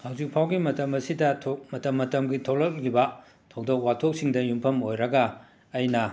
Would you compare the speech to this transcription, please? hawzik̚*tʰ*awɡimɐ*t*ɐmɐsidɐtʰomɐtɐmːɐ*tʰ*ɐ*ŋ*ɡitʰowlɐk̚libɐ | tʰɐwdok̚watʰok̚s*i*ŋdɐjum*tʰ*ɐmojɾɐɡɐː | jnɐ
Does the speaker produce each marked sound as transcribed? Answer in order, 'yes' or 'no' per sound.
no, yes, no, no, yes, no

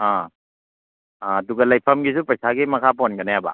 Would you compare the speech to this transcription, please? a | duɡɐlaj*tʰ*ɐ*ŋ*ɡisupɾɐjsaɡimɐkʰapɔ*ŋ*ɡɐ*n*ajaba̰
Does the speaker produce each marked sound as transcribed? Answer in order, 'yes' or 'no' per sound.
no, no, no, yes

